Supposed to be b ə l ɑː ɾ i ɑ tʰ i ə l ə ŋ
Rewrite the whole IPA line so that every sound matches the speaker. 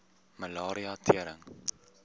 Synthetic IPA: m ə l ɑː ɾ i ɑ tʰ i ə ɾ ə ŋ